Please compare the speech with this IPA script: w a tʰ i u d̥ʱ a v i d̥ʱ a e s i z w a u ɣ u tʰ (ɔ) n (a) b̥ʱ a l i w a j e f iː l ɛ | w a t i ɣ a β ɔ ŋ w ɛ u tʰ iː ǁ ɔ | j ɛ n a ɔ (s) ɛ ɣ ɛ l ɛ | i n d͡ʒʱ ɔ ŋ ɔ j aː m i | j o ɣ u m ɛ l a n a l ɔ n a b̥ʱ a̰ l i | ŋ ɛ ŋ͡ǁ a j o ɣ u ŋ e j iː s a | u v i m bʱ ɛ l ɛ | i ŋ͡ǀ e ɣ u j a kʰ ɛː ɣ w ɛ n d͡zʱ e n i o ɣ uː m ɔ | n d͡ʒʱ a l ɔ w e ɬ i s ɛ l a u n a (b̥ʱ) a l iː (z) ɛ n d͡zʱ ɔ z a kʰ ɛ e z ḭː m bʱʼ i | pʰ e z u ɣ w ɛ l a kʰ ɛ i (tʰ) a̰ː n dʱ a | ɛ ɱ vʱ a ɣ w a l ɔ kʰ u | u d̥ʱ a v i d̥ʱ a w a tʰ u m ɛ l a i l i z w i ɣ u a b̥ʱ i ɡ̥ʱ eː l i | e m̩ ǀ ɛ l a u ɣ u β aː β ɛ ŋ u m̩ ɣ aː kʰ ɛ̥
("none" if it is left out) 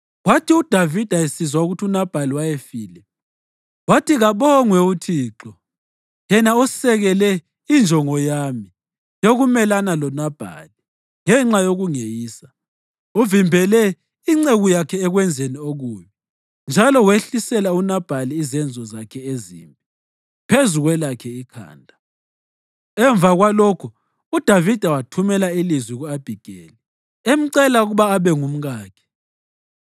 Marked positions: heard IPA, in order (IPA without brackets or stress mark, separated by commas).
u, a, s, b̥ʱ, z, kʰ